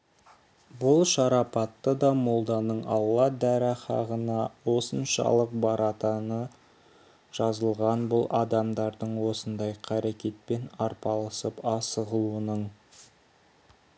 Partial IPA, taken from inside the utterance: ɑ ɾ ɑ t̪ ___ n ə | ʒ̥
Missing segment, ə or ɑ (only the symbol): ɑ